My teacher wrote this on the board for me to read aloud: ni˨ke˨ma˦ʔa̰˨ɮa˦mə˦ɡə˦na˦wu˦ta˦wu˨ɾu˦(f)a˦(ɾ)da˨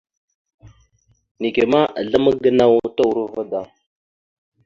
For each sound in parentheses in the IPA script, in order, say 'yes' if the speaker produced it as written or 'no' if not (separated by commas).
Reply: no, no